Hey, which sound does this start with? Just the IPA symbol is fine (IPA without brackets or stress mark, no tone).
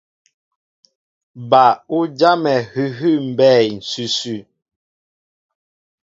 b